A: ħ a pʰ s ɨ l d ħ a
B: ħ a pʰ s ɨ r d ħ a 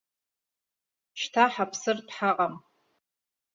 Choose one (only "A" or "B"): B